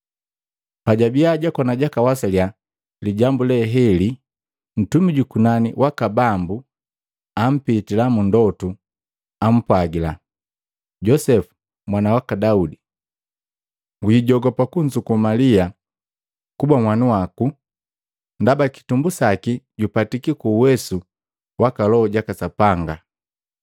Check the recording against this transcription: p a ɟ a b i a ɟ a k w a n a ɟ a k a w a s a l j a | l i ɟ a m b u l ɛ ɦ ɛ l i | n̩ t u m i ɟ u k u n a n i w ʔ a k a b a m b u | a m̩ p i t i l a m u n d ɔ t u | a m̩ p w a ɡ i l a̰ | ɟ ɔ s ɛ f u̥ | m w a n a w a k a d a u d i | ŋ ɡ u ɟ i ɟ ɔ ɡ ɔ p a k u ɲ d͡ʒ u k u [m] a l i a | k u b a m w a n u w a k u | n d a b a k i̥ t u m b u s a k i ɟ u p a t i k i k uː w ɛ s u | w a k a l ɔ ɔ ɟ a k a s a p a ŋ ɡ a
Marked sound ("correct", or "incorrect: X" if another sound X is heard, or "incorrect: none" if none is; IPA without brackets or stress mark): correct